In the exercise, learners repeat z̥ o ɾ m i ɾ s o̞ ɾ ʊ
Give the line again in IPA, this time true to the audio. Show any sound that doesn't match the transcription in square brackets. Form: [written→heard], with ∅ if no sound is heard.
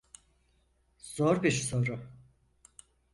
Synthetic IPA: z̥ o ɾ [m→b] i ɾ s o̞ ɾ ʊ